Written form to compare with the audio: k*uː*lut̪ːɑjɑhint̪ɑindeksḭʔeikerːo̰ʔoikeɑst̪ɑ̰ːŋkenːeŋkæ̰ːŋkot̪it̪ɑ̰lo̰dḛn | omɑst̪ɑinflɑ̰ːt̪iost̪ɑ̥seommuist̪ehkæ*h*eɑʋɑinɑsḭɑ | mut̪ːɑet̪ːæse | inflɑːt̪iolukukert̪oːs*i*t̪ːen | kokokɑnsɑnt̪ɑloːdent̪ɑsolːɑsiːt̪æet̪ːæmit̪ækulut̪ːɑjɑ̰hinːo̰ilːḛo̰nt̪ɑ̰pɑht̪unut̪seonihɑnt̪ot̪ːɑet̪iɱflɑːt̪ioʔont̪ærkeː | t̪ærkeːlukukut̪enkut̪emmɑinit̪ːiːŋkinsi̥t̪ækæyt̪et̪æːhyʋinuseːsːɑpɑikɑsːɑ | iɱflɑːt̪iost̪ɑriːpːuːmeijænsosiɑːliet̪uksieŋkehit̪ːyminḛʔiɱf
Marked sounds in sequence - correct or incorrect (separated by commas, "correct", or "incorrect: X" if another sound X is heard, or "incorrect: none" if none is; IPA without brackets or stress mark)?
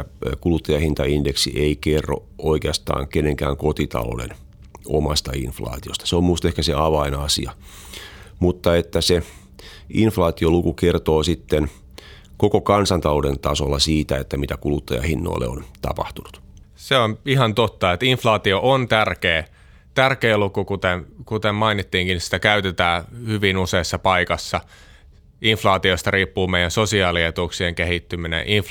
incorrect: u, incorrect: s, correct